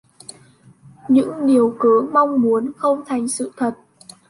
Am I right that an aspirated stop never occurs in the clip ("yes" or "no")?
no